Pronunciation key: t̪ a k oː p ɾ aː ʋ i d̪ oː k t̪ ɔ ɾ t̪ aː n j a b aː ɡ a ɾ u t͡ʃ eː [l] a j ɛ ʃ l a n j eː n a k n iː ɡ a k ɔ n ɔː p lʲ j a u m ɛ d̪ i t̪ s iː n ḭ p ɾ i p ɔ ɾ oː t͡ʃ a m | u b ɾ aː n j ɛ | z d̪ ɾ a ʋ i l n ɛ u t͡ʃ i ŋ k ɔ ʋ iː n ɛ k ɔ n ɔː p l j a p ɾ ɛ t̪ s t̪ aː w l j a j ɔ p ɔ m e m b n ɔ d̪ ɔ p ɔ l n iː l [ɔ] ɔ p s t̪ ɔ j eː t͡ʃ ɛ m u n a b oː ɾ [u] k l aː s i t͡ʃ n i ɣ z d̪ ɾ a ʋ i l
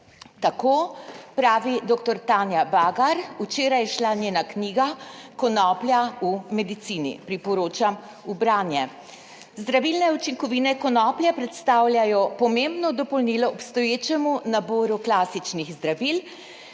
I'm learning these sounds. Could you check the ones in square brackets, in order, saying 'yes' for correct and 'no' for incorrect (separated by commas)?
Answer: no, yes, yes